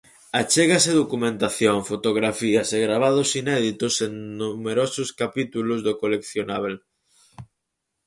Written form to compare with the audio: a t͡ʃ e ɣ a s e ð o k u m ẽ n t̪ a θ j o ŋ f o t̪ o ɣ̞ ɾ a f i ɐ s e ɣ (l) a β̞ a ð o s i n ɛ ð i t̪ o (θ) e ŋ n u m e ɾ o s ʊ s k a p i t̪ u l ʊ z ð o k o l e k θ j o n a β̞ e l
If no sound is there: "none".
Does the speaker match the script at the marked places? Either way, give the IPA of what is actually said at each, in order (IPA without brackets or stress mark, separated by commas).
ɾ, s